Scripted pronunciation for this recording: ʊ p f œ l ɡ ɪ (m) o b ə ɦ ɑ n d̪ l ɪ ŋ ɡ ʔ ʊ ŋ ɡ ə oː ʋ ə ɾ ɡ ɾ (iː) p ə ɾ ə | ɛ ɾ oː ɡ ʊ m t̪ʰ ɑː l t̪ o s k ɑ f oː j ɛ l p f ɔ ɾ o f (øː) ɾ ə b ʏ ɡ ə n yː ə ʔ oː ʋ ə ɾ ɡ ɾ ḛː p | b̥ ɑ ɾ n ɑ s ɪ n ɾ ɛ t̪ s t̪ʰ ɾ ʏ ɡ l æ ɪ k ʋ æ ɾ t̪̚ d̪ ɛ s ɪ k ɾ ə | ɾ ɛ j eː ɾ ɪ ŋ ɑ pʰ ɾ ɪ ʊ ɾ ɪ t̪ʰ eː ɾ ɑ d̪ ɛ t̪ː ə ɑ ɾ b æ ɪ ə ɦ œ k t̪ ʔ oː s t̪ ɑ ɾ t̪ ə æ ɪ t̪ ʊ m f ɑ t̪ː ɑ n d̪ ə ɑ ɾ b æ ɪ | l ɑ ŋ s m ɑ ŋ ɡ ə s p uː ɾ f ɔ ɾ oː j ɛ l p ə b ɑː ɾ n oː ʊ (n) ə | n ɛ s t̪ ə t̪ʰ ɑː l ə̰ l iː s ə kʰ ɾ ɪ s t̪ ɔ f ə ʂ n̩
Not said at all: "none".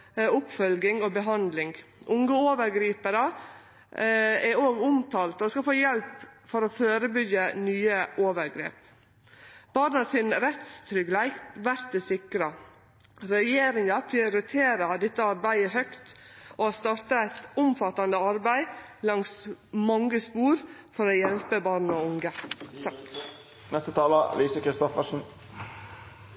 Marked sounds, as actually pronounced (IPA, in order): ŋ, iː, øː, ŋ

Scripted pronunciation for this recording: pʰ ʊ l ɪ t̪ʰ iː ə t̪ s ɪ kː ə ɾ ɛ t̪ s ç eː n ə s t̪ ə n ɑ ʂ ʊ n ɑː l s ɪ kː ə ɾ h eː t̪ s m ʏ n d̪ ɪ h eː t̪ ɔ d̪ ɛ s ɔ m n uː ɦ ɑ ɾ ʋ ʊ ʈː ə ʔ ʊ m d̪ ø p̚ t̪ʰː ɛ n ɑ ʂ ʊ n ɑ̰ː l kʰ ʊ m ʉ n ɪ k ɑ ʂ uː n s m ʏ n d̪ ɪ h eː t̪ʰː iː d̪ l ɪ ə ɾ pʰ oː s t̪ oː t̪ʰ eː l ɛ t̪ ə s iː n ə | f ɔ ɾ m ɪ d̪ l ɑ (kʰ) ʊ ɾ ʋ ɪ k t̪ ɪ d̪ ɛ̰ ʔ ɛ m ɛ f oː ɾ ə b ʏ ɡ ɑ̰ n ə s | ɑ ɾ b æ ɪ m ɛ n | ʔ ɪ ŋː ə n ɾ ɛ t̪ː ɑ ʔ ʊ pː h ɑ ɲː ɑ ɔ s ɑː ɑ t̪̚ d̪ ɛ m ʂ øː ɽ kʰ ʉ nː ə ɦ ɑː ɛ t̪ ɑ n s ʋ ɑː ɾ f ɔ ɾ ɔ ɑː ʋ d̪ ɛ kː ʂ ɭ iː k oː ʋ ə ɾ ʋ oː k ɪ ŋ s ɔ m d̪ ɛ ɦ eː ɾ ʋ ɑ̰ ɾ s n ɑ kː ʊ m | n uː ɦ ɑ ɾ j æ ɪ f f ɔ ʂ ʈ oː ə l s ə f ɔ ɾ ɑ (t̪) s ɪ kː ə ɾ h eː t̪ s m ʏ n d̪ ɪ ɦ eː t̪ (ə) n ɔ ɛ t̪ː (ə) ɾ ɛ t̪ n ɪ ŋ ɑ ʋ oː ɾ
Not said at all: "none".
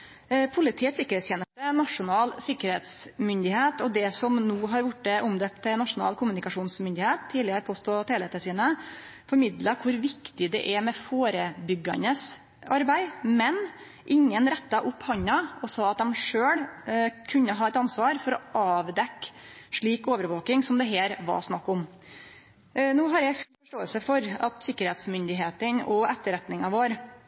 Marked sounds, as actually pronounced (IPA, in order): kʰ, t̪, ə, ə

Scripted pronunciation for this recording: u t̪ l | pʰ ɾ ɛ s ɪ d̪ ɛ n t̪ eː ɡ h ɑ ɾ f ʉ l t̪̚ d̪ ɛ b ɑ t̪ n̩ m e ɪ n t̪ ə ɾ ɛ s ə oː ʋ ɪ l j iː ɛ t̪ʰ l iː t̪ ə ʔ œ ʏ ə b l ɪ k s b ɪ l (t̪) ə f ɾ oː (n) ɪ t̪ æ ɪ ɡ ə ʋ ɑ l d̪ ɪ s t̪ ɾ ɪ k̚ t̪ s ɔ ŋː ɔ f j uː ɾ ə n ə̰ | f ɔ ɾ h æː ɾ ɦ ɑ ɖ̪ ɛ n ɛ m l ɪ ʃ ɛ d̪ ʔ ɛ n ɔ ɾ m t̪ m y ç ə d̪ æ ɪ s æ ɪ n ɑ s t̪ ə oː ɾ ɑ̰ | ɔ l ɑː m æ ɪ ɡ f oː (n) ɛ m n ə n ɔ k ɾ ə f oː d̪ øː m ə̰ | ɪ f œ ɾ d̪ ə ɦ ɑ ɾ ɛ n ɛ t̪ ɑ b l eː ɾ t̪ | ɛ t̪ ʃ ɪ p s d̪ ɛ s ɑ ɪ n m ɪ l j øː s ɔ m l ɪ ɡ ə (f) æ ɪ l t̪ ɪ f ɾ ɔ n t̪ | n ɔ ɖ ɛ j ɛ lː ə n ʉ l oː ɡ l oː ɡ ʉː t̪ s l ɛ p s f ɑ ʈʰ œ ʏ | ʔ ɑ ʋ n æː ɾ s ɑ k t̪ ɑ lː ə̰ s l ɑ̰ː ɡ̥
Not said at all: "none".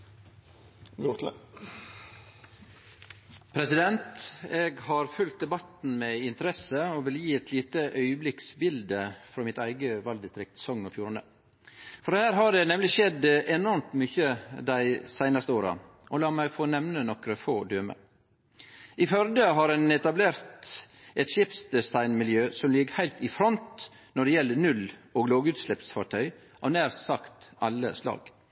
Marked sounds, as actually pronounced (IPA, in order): d̪, m, n, h

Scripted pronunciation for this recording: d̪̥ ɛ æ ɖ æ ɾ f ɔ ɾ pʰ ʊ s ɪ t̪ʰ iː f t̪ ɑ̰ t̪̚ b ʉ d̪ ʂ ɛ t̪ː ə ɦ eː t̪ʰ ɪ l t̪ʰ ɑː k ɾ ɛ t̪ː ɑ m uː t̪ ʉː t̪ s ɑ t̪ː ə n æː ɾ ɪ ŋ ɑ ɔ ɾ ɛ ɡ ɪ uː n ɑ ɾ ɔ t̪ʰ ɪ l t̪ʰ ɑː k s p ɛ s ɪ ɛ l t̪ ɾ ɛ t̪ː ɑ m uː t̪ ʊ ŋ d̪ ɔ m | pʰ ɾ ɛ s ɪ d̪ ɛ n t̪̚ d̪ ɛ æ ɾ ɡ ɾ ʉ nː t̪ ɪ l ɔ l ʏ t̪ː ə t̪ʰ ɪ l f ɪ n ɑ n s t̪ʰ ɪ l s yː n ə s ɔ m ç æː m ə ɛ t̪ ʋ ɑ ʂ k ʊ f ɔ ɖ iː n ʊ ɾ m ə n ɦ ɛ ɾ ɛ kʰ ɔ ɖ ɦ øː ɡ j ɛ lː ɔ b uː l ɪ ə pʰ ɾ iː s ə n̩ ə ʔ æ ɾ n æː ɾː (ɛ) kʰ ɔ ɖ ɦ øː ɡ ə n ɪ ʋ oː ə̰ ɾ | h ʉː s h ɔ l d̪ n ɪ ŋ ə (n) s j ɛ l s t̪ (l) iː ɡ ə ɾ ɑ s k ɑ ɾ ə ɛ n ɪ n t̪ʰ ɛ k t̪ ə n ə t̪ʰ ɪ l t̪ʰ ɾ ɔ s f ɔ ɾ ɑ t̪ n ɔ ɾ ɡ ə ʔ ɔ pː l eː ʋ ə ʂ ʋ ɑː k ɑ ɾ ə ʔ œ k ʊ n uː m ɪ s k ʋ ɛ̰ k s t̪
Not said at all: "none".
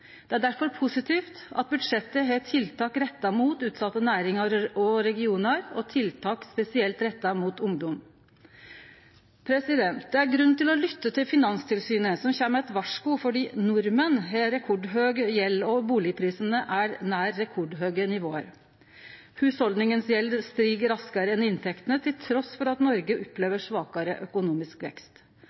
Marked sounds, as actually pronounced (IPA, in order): ɛ, n, ɾ

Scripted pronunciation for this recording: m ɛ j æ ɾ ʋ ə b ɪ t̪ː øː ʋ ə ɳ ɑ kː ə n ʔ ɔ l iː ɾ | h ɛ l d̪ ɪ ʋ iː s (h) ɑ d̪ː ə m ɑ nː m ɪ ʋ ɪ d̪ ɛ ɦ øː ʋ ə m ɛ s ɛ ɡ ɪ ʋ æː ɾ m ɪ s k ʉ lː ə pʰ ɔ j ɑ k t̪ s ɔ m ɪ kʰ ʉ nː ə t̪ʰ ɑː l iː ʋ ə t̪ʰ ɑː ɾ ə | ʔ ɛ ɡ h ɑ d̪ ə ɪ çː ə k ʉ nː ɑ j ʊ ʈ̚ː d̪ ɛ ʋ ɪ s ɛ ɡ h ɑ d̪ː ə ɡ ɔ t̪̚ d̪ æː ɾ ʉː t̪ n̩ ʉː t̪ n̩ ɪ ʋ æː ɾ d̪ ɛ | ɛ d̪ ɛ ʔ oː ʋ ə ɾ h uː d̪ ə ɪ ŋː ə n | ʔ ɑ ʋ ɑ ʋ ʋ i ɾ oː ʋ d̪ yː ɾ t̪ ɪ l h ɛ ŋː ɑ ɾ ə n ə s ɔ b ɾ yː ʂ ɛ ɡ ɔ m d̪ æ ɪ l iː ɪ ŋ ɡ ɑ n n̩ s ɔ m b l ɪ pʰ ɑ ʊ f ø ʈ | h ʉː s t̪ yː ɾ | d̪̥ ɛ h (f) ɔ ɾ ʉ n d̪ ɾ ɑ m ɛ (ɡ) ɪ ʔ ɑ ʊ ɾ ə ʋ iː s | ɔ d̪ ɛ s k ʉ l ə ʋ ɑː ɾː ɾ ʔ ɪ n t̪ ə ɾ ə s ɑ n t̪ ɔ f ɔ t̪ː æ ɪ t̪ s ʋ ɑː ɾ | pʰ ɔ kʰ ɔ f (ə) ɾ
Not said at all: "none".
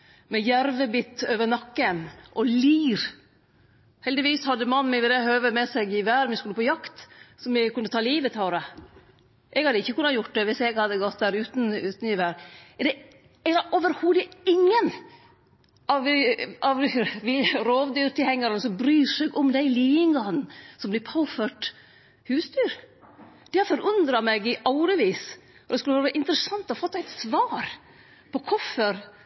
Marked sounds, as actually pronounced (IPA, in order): h, f, ɡ, ə

